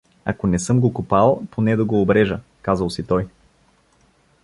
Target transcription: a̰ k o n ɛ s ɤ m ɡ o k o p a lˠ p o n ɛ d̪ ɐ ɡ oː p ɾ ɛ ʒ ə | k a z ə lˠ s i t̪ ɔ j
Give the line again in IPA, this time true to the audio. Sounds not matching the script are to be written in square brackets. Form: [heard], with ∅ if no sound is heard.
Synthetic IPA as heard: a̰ k o n ɛ s ɤ m ɡ o k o p a lˠ p o n ɛ d̪ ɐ ɡ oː [b] ɾ ɛ ʒ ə | k a z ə lˠ s i t̪ ɔ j